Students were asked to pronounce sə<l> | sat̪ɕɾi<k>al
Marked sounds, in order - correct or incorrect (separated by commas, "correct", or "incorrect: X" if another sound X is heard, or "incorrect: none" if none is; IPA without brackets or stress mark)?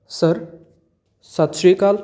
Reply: incorrect: ɾ, correct